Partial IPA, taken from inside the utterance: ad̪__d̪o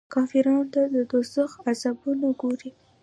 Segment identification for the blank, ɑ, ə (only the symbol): ə